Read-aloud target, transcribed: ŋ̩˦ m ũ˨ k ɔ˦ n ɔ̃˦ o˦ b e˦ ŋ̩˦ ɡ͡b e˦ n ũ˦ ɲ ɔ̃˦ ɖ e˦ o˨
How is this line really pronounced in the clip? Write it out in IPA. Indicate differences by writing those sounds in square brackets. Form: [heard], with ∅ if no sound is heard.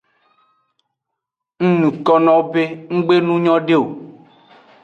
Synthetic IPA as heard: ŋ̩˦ [n] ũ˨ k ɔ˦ n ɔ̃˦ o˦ b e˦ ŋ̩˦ ɡ͡b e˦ n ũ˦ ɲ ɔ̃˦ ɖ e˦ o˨